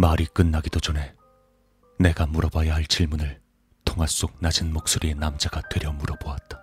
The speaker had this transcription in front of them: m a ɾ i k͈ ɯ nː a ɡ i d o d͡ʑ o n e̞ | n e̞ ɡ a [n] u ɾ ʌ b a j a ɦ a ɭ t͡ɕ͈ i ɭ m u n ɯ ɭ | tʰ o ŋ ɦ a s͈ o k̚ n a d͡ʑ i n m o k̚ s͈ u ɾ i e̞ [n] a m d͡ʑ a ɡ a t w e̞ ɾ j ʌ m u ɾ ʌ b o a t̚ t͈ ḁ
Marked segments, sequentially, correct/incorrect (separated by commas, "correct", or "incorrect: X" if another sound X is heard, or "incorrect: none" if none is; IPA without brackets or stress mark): incorrect: m, correct